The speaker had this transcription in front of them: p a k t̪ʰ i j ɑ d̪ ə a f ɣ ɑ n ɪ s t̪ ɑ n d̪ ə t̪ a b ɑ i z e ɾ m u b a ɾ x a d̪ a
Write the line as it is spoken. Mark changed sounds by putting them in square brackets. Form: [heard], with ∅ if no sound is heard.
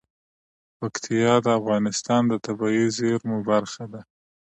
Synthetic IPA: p a k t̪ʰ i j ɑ d̪ ə a f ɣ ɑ n ɪ s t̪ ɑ n d̪ ə t̪ a b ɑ i z e ɾ m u b a ɾ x a d̪ a